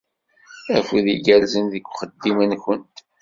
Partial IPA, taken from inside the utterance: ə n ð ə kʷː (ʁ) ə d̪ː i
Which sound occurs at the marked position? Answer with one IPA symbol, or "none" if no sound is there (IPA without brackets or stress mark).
χ